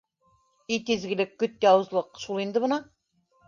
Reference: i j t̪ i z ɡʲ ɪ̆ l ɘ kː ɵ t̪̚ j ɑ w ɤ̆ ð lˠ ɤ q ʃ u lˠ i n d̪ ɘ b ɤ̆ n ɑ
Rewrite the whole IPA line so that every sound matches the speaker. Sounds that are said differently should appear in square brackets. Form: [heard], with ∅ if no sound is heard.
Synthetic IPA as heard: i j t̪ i z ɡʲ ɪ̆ l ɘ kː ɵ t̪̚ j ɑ w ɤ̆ [z] lˠ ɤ q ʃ u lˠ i n d̪ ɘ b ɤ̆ n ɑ